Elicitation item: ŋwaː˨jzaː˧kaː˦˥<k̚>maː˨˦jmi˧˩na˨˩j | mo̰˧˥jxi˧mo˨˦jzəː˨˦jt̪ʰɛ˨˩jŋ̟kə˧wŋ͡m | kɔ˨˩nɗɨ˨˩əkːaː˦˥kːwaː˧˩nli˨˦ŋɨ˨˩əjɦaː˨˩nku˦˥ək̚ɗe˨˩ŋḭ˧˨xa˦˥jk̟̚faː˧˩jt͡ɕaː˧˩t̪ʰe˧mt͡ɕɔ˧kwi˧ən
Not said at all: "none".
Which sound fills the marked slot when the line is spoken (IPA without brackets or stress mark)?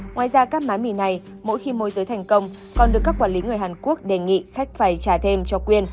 k̚